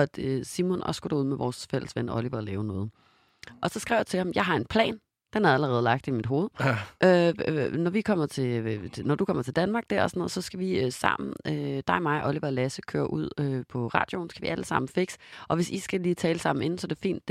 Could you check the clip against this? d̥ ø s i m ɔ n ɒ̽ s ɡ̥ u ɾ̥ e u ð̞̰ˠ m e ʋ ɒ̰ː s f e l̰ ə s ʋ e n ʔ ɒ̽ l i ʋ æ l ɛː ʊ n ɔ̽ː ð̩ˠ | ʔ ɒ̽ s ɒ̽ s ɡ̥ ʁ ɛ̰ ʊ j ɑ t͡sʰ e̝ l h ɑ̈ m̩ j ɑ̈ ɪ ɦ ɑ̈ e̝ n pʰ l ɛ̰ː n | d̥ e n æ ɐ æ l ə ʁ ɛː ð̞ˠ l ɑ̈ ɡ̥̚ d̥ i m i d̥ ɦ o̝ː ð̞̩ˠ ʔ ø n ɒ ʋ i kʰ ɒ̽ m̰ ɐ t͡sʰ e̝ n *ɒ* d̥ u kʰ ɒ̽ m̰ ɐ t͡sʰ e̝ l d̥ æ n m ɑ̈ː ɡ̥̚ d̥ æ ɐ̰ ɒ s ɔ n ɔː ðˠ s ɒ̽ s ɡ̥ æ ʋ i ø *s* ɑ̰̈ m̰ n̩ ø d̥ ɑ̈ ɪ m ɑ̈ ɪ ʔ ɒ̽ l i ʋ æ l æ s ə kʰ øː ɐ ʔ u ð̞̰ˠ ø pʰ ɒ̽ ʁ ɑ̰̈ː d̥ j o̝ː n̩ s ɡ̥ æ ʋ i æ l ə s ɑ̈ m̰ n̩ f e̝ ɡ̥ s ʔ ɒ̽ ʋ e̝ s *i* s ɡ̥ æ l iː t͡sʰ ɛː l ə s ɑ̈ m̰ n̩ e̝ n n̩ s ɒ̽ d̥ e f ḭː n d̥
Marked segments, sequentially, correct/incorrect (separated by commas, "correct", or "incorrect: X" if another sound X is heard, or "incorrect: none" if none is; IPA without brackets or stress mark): correct, correct, correct